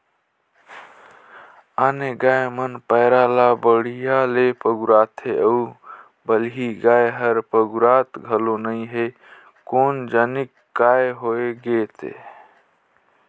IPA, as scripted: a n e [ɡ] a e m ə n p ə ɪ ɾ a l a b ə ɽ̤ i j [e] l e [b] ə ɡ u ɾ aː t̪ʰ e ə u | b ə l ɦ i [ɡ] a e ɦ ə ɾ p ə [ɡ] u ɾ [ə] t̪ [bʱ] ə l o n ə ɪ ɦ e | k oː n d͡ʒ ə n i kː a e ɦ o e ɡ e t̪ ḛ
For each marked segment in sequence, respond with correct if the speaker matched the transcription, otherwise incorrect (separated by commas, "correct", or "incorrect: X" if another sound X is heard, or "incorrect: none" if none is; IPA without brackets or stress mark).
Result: correct, incorrect: a, incorrect: p, correct, correct, incorrect: a, incorrect: ɡʱ